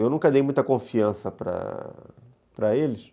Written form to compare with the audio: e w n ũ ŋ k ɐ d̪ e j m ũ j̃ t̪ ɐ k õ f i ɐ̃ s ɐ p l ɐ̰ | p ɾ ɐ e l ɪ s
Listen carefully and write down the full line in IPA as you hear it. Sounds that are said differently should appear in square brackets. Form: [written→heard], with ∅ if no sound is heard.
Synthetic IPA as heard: e w n ũ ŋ k ɐ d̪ e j m ũ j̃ t̪ ɐ k õ f i ɐ̃ s ɐ p [l→ɾ] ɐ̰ | p ɾ ɐ e l ɪ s